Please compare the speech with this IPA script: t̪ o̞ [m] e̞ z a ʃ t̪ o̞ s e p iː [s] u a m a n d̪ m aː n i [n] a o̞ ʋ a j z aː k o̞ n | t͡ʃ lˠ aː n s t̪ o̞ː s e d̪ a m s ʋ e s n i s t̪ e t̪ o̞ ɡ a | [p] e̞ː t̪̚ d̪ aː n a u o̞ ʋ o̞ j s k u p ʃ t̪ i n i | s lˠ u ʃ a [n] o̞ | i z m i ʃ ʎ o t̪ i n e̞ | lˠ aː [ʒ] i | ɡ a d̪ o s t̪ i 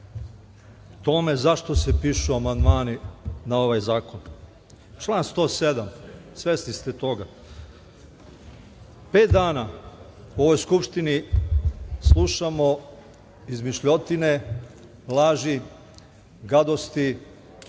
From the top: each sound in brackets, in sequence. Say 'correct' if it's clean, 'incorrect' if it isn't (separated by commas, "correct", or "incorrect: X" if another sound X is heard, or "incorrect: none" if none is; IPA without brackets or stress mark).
correct, incorrect: ʃ, correct, correct, incorrect: m, correct